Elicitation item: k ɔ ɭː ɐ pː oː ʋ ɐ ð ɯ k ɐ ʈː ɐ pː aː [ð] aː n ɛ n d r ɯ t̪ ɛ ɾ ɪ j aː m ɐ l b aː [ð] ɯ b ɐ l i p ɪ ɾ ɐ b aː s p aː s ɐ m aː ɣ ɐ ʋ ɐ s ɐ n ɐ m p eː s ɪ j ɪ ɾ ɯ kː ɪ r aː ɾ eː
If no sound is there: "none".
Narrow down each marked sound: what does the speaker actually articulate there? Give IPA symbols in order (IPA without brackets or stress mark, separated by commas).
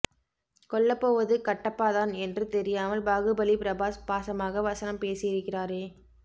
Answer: ð, ɣ